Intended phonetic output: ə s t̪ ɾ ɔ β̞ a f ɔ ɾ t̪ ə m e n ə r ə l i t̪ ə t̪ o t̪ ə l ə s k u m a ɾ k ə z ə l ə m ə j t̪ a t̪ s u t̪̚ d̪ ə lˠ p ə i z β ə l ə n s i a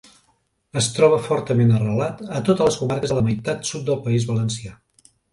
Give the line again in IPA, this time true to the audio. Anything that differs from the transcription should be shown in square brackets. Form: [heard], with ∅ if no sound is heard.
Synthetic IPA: ə s t̪ ɾ ɔ β̞ [ə] f ɔ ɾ t̪ ə m e n ə r ə l [a] t̪ ə t̪ o t̪ ə l ə s k u m a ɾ k ə z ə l ə m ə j t̪ a t̪ s u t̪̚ d̪ ə lˠ p ə i z β ə l ə n s i a